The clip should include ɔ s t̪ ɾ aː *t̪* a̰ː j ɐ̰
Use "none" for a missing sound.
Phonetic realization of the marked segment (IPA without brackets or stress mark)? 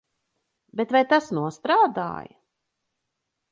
d̪